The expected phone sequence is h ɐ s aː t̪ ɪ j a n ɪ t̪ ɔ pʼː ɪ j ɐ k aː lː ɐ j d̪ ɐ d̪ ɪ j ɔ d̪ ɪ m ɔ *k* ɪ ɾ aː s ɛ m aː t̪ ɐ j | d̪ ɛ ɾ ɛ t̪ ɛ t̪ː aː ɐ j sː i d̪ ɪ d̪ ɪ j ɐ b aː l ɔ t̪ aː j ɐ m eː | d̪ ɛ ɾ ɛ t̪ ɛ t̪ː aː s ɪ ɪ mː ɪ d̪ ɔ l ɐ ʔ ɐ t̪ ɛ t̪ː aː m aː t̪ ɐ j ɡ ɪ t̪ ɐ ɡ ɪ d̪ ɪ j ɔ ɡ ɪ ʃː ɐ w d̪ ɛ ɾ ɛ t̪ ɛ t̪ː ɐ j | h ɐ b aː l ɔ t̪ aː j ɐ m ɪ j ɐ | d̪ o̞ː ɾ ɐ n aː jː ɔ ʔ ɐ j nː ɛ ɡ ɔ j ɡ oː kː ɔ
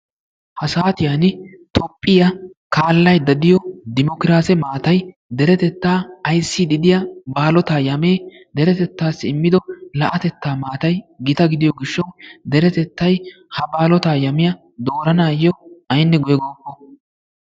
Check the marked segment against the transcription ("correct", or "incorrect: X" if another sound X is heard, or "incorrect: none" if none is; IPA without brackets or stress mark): correct